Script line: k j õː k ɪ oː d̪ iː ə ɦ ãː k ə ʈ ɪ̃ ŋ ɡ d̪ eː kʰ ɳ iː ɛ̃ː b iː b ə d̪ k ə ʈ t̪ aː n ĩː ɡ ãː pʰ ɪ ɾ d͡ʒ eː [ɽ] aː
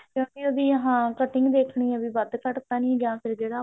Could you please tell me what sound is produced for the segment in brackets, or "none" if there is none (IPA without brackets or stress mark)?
ɽ